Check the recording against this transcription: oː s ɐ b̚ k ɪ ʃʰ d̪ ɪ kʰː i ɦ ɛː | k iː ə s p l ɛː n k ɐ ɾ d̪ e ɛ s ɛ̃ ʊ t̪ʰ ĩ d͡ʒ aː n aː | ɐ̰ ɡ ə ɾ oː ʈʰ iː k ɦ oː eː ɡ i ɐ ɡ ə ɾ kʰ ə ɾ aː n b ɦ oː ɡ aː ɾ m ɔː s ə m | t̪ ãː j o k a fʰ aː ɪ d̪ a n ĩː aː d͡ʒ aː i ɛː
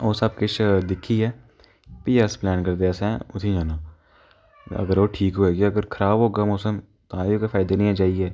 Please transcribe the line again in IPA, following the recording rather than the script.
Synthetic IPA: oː s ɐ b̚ k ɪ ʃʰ d̪ ɪ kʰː i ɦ ɛː | p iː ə s p l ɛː n k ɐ ɾ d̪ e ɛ s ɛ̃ ʊ t̪ʰ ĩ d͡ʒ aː n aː | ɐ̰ ɡ ə ɾ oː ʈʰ iː k ɦ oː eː ɡ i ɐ ɡ ə ɾ kʰ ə ɾ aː b ɦ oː ɡ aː m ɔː s ə m | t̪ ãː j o k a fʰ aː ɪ d̪ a n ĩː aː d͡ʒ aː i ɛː